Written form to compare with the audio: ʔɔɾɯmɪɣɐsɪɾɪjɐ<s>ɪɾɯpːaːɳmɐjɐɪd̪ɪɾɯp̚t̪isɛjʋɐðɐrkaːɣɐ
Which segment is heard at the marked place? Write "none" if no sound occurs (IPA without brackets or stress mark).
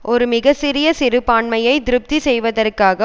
s